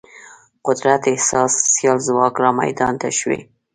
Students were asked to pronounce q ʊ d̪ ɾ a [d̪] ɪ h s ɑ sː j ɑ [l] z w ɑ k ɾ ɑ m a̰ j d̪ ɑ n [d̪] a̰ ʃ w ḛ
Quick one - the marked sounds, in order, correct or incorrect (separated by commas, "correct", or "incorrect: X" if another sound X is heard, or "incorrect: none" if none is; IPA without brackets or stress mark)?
incorrect: t̪, correct, incorrect: t̪